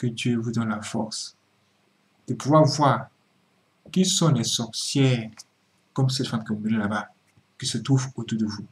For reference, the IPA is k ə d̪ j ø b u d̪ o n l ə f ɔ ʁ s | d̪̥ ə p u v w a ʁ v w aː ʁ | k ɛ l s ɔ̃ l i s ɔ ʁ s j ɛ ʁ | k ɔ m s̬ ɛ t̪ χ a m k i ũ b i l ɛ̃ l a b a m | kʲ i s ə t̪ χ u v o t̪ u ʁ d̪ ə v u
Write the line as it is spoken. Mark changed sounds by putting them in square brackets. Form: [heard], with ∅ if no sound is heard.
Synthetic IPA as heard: k ə d̪ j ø [v] u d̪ [ɔ] n l [a] f ɔ ʁ s | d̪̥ ə p u v w a ʁ v w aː ʁ | k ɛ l s ɔ̃ l [ɛ] s ɔ ʁ s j ɛ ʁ | k ɔ m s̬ ɛ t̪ [f] a m k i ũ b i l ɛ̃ l a b a [∅] | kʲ i s ə t̪ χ u v o t̪ u ʁ d̪ ə v u